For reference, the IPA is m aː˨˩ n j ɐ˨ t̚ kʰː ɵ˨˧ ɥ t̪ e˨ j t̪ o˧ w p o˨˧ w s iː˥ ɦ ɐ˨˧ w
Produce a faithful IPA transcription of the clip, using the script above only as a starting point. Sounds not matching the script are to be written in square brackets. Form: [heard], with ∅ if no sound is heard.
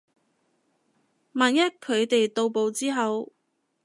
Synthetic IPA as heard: m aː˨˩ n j [ɐ˥] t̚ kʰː ɵ˨˧ ɥ t̪ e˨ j t̪ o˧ w p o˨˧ w [t͡s] iː˥ ɦ ɐ˨˧ w